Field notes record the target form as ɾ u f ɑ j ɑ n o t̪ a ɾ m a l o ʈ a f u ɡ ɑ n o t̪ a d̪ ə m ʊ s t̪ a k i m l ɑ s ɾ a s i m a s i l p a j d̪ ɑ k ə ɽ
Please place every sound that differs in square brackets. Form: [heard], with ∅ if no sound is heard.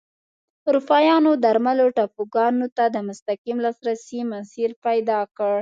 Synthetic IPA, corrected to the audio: ɾ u f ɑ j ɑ n o [d̪] a ɾ m a l o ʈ a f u ɡ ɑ n o t̪ a d̪ ə m ʊ s t̪ a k i m l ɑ s ɾ a s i m a s i [ɾ] p a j d̪ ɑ k ə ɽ